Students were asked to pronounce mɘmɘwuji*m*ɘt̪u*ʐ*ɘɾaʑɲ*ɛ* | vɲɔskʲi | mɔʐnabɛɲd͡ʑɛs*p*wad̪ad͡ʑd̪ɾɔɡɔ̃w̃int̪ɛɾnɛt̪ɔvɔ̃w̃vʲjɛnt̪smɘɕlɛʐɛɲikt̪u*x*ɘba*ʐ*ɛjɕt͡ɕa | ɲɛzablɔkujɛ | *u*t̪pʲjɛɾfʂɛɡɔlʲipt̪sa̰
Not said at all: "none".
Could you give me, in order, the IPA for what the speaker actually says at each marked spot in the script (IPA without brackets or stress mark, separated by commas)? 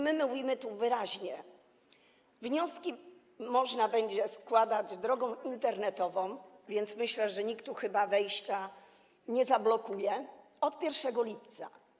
m, v, ɛ, k, x, v, ɔ